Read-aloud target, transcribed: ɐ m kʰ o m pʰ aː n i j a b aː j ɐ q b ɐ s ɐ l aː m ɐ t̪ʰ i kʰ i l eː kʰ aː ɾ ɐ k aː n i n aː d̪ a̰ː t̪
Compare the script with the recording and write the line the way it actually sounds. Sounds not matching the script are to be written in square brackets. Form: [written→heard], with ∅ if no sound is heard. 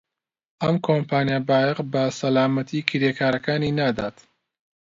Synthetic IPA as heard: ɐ m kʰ o m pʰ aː n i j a b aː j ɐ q b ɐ s ɐ l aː m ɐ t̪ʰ i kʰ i [l→ɾ] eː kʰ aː ɾ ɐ k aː n i n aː d̪ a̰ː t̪